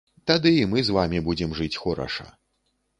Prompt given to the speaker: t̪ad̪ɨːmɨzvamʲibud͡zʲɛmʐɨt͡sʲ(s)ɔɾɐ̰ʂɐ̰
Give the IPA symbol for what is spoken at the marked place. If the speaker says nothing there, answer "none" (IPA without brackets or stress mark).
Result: x